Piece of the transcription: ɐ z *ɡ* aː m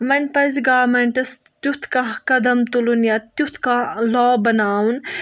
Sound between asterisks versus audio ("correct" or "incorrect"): correct